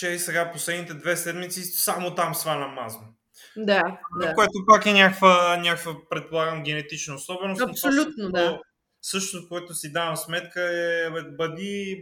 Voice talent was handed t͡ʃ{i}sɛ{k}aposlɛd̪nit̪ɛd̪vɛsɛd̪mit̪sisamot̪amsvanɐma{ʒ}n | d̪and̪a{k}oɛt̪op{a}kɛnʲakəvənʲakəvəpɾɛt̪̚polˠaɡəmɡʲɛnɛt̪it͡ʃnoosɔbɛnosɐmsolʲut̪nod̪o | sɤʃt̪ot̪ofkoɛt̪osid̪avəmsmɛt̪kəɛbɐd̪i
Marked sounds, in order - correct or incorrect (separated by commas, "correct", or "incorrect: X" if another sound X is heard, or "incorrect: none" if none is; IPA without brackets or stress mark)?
incorrect: ɛ, incorrect: ɡ, incorrect: z, correct, correct